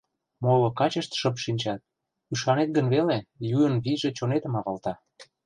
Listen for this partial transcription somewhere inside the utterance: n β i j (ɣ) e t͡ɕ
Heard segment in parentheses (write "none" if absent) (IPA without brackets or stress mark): ʒ